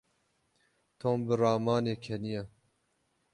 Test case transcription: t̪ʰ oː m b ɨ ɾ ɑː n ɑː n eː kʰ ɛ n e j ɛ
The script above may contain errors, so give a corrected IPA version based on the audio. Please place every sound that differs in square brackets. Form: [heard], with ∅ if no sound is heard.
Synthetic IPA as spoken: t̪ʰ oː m b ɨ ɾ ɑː [m] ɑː n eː kʰ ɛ n [i] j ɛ